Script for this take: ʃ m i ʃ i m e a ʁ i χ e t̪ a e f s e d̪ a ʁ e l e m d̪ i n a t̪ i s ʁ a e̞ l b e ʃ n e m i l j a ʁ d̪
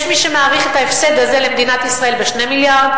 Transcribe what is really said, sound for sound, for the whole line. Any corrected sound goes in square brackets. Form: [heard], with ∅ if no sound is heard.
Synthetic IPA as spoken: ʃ m i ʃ [e] m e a ʁ i χ e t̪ a e f s e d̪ a [z] e l e m d̪ i n a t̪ i s ʁ a e̞ l b e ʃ n e m i l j a ʁ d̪